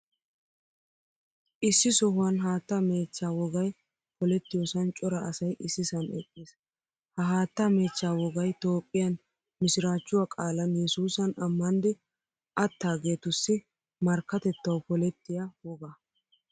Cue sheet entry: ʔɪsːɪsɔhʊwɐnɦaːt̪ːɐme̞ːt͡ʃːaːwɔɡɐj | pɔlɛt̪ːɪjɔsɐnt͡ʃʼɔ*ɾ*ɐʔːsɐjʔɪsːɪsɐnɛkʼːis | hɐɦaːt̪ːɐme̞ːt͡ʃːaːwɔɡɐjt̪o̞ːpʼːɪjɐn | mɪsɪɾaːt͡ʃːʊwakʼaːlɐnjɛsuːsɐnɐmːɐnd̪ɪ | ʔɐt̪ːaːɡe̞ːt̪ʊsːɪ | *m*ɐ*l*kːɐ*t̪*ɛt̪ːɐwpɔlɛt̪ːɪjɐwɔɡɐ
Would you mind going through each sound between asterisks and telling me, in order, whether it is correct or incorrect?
correct, correct, incorrect: ɾ, correct

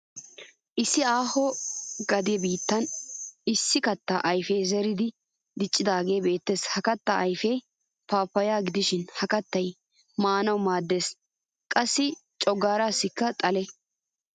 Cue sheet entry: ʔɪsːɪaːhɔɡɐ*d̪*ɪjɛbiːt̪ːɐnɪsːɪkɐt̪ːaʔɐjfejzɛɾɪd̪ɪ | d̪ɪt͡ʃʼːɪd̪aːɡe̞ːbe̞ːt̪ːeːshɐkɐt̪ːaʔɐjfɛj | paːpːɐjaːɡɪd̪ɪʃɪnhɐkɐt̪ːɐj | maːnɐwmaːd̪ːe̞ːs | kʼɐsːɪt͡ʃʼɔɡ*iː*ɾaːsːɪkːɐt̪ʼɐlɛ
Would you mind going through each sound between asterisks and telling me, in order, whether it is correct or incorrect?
correct, incorrect: aː

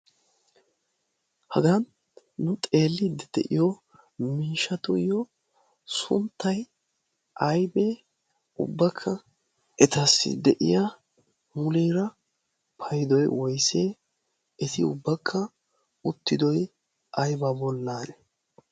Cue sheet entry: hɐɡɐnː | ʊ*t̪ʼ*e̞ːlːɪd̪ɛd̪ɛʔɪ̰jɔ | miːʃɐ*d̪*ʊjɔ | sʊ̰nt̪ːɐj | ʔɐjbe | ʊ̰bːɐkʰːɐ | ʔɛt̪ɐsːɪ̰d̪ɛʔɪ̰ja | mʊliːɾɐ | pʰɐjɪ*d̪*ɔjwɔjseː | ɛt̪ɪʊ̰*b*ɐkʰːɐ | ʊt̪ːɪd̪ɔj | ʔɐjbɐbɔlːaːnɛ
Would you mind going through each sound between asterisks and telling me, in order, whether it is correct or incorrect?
correct, incorrect: t̪, correct, incorrect: bː

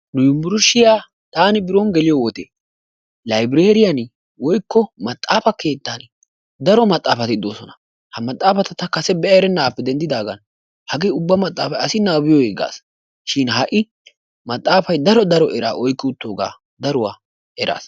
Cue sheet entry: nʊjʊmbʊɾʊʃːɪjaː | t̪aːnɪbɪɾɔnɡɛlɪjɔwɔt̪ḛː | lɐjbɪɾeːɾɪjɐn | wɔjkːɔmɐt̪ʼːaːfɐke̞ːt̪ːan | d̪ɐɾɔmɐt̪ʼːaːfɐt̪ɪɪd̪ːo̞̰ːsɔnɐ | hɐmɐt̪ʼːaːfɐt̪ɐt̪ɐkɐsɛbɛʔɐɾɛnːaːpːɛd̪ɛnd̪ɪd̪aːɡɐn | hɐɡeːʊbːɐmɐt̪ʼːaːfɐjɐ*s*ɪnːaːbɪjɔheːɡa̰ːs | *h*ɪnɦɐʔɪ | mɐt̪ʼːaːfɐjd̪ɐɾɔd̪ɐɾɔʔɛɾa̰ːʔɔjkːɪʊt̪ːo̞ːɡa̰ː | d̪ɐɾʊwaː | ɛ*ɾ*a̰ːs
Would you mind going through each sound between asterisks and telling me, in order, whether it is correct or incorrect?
correct, incorrect: ʃ, correct

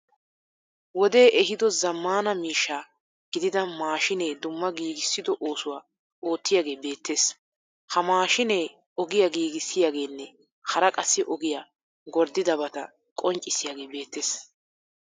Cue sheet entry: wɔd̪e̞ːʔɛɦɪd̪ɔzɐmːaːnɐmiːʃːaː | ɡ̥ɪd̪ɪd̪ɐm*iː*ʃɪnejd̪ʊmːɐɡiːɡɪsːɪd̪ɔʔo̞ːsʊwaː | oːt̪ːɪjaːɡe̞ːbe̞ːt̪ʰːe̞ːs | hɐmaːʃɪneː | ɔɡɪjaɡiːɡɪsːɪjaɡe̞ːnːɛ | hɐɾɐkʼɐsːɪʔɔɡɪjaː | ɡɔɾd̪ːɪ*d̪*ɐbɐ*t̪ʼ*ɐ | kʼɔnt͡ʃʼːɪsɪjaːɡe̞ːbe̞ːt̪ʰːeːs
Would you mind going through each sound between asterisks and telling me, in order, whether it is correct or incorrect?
incorrect: aː, correct, incorrect: t̪

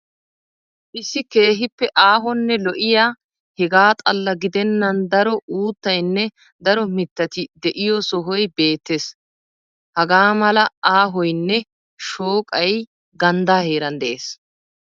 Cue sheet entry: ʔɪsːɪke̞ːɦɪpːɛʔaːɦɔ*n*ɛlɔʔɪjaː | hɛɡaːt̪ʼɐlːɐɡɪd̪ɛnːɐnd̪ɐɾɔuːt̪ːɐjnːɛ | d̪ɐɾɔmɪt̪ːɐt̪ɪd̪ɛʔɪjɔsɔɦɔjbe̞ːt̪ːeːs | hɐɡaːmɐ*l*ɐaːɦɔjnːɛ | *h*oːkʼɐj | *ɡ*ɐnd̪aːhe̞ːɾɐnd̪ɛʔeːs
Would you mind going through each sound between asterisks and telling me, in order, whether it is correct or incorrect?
incorrect: nː, correct, incorrect: ʃ, correct

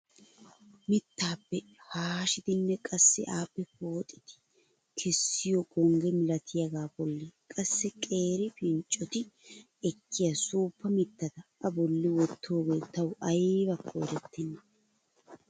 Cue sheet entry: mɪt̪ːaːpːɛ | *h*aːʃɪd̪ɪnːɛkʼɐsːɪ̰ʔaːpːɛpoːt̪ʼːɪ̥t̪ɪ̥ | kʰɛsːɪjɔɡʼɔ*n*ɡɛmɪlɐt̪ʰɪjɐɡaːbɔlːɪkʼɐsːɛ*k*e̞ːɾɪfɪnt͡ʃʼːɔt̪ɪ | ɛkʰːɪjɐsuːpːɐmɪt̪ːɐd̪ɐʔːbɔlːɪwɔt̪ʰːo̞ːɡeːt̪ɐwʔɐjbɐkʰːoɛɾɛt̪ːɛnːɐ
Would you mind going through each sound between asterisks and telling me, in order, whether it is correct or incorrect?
correct, incorrect: ŋ, incorrect: kʼ

